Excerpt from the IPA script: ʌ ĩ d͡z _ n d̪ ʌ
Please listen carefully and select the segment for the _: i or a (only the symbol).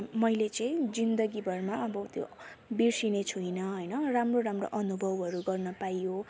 i